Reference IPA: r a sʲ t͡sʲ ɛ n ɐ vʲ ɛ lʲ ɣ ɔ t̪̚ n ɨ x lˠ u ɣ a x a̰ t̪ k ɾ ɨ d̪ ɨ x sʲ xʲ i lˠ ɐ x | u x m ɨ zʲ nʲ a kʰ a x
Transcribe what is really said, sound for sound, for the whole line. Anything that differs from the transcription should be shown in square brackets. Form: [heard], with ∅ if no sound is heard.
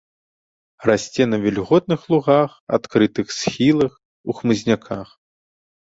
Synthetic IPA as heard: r a sʲ t͡sʲ ɛ n ɐ vʲ ɛ lʲ ɣ ɔ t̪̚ n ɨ x lˠ u ɣ a x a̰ t̪ k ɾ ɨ [t̪] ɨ x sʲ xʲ i lˠ ɐ x | u x m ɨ zʲ nʲ a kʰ a x